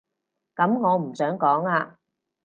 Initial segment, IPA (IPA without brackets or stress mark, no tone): k